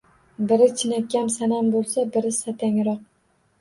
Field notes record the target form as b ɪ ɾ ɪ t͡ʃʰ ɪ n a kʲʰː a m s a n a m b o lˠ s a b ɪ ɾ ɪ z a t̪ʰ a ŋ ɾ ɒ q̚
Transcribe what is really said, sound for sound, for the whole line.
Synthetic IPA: b ɪ ɾ ɪ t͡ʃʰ ɪ n a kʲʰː a m s a n a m b o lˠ s a b ɪ ɾ ɪ s a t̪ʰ a ŋ ɾ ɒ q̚

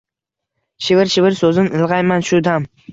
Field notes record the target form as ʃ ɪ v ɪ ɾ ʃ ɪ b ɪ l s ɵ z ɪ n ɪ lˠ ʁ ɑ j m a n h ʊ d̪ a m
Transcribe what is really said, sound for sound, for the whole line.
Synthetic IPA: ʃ ɪ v ɪ ɾ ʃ ɪ v ɪ ɾ s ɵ z ɪ n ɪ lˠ ʁ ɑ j m a n ʃ ʊ d̪ a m

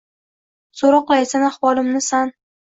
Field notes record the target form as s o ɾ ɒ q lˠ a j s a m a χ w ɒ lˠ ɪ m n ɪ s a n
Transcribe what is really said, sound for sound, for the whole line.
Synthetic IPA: s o ɾ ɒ q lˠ a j s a n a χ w ɒ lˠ ɪ m n ɪ s a n

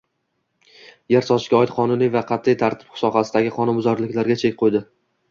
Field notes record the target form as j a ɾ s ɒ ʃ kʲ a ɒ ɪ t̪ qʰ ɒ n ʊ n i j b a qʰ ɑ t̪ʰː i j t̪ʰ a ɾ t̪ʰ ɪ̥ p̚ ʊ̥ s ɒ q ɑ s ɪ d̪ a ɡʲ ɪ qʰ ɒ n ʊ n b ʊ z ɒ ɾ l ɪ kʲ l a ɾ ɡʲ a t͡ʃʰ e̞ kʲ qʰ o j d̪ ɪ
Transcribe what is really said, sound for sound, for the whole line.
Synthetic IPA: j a ɾ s ɒ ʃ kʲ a ɒ ɪ t̪ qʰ ɒ n ʊ n i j v a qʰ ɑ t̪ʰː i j t̪ʰ a ɾ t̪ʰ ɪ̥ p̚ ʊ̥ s ɒ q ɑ s ɪ d̪ a ɡʲ ɪ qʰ ɒ n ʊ n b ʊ z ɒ ɾ l ɪ kʲ l a ɾ ɡʲ a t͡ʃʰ e̞ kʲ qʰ o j d̪ ɪ

